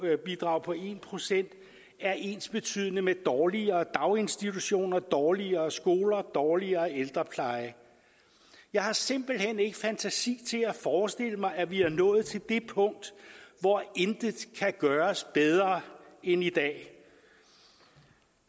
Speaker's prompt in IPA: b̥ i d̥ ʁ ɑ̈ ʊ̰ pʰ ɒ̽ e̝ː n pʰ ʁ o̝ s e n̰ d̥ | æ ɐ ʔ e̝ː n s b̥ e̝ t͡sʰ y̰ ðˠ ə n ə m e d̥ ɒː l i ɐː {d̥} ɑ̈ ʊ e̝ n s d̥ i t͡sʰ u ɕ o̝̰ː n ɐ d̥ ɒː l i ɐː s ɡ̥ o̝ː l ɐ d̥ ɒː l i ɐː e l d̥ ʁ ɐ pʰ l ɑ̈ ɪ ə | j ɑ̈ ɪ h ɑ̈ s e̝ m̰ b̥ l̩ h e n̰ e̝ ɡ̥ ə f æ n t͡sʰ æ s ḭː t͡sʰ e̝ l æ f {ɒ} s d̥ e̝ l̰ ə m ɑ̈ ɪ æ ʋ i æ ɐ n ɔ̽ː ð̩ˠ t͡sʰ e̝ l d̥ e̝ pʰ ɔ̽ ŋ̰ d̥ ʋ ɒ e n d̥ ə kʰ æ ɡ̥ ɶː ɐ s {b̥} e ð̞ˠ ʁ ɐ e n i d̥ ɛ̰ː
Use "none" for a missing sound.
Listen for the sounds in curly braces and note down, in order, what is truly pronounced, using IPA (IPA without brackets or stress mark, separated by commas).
d̥, ɒː, b̥